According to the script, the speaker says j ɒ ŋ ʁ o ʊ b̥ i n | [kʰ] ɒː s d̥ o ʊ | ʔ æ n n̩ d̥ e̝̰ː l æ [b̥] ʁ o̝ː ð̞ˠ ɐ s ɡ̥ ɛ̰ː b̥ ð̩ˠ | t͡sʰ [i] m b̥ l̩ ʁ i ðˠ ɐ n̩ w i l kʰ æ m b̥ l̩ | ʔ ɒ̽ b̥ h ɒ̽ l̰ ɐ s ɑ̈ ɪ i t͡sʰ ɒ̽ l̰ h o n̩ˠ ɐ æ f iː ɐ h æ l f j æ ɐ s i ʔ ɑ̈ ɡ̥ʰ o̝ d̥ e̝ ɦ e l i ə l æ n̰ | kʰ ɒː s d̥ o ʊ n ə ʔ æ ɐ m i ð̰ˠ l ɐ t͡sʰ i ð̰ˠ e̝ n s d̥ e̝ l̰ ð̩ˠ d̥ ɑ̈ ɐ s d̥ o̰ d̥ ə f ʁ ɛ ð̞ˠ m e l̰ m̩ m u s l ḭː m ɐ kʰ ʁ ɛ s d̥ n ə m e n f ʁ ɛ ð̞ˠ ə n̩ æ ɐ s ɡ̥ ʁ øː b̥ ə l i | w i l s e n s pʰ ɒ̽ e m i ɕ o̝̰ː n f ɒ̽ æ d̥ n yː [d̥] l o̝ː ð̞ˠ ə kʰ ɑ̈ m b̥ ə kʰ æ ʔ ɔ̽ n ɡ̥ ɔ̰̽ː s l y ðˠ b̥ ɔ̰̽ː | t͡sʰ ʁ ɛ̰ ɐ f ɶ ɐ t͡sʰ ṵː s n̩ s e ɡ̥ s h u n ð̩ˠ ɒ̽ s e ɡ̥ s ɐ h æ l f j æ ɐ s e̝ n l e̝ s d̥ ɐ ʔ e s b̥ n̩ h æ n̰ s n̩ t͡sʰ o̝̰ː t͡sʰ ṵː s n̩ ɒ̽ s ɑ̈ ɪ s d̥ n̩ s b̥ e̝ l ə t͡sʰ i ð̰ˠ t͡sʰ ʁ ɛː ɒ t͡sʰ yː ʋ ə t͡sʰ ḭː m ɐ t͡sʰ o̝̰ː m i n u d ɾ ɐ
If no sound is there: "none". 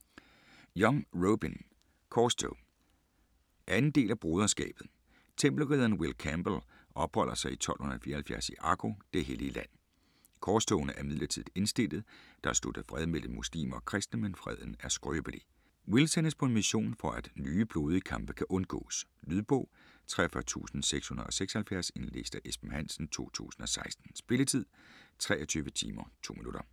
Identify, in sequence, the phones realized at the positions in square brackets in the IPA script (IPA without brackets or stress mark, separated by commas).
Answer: kʰ, b̥, e, b̥